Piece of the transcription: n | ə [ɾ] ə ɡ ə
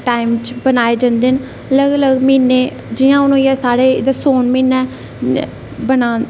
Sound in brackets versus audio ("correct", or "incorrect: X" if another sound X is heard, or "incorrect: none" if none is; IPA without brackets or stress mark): incorrect: l